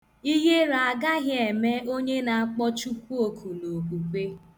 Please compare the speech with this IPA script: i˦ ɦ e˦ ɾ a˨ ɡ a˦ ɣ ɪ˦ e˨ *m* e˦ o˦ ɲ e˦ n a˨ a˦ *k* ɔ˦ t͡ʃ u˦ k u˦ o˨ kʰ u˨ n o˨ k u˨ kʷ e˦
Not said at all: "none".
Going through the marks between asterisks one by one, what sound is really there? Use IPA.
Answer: m, k͡p

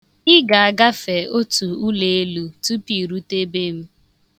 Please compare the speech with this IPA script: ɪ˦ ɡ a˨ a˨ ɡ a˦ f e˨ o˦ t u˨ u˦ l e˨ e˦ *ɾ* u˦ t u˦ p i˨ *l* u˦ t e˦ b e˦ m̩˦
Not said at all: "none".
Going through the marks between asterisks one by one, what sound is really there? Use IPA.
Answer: l, ɾ

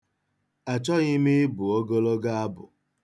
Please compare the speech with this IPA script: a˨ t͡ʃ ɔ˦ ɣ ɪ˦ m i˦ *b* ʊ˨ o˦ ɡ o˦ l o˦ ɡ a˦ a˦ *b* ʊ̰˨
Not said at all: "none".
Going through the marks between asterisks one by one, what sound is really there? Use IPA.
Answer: b, b

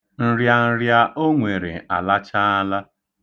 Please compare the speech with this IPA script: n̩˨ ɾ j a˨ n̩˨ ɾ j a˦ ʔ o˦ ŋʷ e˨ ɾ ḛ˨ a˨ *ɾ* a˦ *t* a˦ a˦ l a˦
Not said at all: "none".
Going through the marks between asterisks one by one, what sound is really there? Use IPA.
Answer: l, t͡ʃ

